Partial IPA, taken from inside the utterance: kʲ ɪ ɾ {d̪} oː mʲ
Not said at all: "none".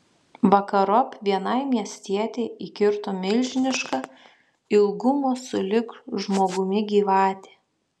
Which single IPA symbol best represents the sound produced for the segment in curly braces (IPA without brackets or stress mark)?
t̪